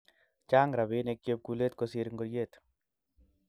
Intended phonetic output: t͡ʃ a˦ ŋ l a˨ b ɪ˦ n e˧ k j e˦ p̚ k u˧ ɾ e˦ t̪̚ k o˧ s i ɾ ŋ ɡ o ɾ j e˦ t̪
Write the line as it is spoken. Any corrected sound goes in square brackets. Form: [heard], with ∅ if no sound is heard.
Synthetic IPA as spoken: t͡ʃ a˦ ŋ [ɾ] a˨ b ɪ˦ n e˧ k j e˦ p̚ k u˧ [l] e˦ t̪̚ k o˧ s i ɾ ŋ ɡ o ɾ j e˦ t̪